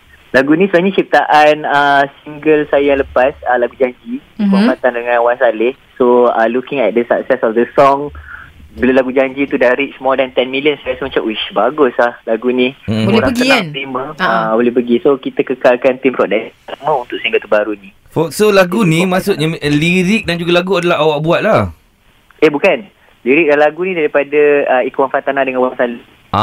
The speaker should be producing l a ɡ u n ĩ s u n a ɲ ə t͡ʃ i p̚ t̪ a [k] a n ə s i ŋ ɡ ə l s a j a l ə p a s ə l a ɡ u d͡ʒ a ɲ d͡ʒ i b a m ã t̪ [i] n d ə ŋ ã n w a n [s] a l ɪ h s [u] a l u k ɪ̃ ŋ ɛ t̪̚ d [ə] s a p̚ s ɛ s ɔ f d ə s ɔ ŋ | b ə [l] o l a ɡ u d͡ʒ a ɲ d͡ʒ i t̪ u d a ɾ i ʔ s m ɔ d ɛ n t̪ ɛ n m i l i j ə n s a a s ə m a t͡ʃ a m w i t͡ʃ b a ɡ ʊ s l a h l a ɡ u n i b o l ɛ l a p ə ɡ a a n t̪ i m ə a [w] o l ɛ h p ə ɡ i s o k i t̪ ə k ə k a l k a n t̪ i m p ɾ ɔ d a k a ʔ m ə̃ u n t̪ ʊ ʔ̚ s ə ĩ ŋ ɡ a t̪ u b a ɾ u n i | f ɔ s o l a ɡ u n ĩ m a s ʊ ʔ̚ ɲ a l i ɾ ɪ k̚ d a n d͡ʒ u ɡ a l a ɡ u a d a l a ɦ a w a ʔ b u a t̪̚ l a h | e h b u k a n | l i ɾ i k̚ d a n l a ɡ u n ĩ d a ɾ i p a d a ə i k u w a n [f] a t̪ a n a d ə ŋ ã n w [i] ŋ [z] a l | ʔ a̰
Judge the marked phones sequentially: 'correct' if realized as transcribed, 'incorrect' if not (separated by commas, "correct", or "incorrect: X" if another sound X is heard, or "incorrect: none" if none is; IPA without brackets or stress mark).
incorrect: ʔ, incorrect: a, correct, incorrect: o, correct, correct, incorrect: b, correct, incorrect: a, incorrect: s